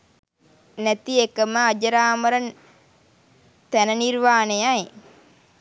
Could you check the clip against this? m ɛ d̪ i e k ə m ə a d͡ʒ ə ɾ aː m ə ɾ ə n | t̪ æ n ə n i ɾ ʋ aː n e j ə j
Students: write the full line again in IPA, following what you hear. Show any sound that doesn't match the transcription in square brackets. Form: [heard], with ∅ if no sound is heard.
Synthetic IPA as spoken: [n] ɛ [t̪] i e k ə m ə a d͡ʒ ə ɾ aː m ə ɾ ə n | t̪ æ n ə n i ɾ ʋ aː n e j [a] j